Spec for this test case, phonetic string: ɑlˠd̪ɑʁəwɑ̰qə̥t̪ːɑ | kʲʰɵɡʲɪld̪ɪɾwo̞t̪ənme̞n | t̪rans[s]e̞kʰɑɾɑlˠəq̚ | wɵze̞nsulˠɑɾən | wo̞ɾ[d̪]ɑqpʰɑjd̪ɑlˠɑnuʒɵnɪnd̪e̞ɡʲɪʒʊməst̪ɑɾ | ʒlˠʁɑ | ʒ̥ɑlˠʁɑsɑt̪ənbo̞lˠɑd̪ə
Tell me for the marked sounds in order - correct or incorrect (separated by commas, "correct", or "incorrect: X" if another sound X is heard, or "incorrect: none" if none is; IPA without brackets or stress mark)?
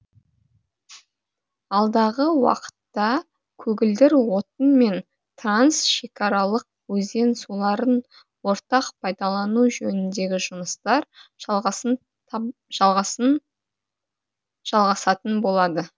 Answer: incorrect: ʃ, incorrect: t̪